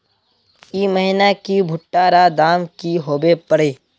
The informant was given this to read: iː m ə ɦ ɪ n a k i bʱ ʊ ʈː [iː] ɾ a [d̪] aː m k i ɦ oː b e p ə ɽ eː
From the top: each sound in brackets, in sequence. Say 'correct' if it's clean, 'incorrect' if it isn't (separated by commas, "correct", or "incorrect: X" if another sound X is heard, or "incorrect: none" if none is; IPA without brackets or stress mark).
incorrect: aː, correct